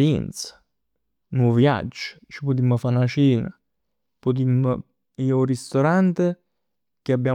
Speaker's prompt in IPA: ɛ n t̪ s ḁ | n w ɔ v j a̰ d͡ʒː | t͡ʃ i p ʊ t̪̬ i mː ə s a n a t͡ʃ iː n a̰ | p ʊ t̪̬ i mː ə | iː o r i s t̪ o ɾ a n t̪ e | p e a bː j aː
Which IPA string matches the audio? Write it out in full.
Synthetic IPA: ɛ n t̪ s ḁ | n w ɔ v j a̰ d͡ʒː | t͡ʃ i p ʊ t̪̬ i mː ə f a n a t͡ʃ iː n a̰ | p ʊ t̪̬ i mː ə | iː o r i s t̪ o ɾ a n t̪ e | k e a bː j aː